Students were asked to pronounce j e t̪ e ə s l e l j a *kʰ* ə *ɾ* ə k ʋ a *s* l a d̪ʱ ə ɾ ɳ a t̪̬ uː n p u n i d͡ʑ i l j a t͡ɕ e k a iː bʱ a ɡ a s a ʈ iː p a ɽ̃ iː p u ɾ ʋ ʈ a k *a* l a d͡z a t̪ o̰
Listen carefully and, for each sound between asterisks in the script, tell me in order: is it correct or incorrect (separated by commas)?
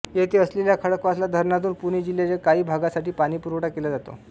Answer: correct, incorrect, correct, incorrect